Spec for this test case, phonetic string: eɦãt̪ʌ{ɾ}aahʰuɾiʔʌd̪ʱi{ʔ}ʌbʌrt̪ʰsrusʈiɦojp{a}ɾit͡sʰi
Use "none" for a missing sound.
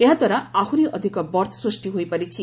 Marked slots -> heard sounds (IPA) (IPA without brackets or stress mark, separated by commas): ɾ, k, ʌ